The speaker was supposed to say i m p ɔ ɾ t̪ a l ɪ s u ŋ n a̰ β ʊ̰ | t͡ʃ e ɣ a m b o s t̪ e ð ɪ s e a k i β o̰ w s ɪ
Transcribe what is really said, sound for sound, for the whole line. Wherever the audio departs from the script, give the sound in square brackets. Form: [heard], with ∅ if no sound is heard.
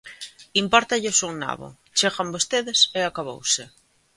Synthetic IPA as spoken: i m p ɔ ɾ t̪ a [ʎ] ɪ s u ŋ n a̰ β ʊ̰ | t͡ʃ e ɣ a m b o s t̪ e ð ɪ s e a k [a] β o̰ w s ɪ